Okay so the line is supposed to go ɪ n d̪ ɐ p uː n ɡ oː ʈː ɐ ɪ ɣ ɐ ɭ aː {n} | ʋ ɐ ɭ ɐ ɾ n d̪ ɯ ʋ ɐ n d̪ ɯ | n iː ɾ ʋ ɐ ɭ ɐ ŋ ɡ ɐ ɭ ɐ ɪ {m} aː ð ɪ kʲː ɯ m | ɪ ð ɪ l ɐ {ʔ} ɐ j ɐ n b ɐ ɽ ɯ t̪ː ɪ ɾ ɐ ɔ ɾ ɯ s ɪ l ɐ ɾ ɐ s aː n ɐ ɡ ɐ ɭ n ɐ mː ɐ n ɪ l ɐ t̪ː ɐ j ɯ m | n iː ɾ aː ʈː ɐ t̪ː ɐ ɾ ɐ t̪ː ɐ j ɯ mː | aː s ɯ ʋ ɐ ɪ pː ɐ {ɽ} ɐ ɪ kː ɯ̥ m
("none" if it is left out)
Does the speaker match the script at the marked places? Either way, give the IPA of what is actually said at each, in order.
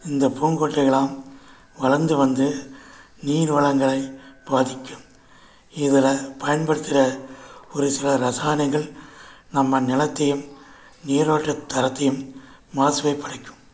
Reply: m, b, p, ɽ

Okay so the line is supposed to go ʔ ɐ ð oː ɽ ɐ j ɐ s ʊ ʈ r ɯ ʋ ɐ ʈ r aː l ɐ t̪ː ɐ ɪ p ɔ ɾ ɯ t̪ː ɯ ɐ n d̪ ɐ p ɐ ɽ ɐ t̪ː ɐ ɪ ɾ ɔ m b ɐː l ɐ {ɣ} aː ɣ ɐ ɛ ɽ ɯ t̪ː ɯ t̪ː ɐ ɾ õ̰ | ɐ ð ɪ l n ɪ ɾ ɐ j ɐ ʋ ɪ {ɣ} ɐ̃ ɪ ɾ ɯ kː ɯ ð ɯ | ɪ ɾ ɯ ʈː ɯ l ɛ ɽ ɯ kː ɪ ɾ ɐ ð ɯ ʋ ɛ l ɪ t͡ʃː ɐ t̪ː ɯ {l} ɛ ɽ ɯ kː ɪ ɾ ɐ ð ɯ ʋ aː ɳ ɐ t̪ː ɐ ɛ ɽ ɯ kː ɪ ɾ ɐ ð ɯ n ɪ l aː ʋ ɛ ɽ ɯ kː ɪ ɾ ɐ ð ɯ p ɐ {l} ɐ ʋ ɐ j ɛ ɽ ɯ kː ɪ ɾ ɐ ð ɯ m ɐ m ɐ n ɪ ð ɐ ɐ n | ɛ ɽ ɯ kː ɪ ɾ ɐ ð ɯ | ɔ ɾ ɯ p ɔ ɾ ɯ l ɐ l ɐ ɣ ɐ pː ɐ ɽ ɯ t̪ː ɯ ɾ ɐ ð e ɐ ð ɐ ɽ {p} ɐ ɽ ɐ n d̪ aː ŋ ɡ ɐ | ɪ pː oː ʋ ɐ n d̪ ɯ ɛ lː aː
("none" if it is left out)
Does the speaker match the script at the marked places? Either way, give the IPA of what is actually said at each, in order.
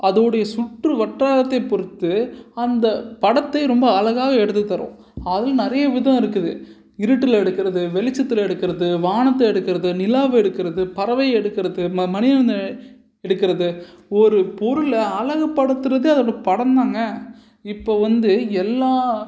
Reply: ɣ, ð, l, ɾ, p

